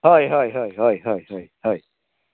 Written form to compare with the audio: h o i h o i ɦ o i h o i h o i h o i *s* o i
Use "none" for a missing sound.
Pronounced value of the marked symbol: h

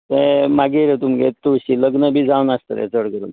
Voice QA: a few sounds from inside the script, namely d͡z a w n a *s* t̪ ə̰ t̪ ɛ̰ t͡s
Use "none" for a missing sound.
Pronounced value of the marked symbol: s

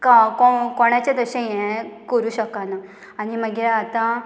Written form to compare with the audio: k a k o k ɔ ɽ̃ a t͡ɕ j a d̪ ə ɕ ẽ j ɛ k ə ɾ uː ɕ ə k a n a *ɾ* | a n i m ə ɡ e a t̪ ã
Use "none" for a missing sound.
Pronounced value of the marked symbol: none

